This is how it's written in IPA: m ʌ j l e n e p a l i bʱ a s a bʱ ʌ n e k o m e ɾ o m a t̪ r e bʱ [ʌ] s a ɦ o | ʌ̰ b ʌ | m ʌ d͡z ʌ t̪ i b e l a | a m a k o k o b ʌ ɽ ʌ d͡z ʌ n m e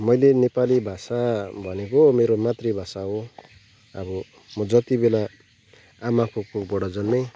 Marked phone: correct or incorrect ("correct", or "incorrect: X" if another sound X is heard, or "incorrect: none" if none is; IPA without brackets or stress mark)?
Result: incorrect: a